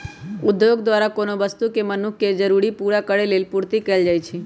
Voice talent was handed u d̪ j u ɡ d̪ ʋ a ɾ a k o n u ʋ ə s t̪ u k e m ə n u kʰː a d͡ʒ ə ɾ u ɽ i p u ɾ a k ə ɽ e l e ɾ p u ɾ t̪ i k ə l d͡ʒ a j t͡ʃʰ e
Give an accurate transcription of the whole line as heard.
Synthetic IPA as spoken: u d̪ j o ɡ d̪ ʋ a ɾ a k o n o ʋ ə s t̪ u k e m ə n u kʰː e d͡ʒ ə ɾ u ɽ i p u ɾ a k ə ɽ e l e l p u ɾ t̪ i k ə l d͡ʒ a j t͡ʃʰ e